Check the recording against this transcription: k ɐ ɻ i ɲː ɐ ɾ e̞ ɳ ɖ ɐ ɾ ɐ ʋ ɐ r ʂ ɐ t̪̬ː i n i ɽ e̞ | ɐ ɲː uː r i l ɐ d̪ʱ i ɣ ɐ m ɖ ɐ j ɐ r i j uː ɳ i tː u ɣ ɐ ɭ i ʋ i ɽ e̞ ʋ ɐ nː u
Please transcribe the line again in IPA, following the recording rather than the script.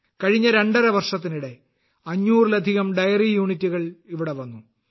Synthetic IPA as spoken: k ɐ ɻ i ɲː ɐ ɾ e̞ ɳ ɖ ɐ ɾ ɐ ʋ ɐ r ʂ ɐ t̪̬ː i n i ɽ e̞ | ɐ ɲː uː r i l ɐ d̪ʱ i ɣ ɐ m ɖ ɐ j ɐ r i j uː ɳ i tː u ɣ ɐ ɭ i ʋ i ɽ e̞ ʋ ɐ nː u